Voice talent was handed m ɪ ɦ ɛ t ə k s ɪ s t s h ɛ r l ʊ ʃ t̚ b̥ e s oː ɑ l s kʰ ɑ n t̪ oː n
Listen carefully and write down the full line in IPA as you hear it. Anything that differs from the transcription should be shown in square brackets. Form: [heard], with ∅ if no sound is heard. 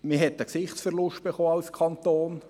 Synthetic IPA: m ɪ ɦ ɛ t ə k s ɪ [χ] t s [f] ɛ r l ʊ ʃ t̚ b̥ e [χ] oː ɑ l s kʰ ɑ n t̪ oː n